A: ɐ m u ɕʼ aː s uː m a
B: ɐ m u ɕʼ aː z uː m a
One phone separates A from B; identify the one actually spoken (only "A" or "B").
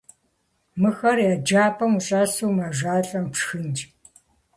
A